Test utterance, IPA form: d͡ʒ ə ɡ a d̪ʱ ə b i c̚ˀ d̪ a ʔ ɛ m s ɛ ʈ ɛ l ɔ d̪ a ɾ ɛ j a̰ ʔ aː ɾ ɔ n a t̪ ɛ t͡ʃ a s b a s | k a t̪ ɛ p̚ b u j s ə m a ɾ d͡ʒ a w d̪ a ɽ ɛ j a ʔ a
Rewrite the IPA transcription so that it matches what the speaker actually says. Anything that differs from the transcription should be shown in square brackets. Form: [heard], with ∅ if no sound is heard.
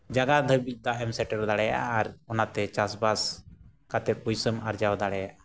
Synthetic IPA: d͡ʒ [a] ɡ a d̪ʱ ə b i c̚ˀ d̪ a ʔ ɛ m s ɛ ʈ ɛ [ɾ] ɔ d̪ a [ɽ] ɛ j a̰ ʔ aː ɾ ɔ n a t̪ ɛ t͡ʃ a s b a s | k a t̪ ɛ p̚ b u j s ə m a ɾ d͡ʒ a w d̪ a ɽ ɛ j a ʔ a